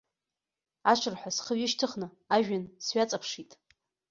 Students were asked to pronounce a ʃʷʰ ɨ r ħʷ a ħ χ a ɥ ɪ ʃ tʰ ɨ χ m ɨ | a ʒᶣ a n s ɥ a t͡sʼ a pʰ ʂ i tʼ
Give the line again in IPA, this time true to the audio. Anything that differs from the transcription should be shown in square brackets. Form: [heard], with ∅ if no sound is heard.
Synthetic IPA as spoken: a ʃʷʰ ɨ r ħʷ a [s] χ [ə] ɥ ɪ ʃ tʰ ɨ χ [n] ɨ | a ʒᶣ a n s ɥ a t͡sʼ a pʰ ʂ i tʼ